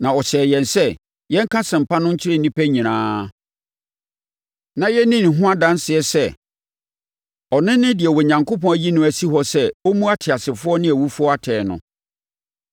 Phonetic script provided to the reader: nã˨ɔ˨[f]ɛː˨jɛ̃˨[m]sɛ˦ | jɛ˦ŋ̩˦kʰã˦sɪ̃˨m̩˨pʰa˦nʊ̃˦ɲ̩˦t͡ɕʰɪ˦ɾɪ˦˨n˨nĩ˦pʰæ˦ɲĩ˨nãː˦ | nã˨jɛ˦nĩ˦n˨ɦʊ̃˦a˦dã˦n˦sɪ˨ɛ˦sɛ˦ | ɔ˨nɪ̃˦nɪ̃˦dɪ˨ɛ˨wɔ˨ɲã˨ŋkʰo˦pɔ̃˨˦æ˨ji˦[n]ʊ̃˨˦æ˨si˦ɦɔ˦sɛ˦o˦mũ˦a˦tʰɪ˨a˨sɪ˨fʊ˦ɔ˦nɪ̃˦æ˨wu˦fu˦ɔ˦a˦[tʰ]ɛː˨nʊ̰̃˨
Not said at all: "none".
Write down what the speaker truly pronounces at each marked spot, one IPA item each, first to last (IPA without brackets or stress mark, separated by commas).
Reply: ɕ, n, n, tʰ